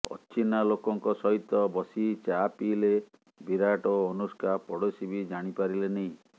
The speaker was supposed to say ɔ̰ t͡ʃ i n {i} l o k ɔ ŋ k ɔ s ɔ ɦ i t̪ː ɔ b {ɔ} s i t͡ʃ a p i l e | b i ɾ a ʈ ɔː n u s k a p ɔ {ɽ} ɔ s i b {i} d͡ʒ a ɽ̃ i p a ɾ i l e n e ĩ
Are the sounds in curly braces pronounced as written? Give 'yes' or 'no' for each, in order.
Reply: no, yes, yes, yes

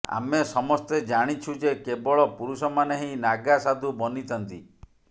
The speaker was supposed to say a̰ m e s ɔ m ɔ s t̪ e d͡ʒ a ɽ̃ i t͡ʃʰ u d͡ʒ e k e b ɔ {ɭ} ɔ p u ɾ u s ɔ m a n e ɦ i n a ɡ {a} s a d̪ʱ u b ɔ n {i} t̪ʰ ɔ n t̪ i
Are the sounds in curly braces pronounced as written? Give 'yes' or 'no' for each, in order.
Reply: yes, yes, yes

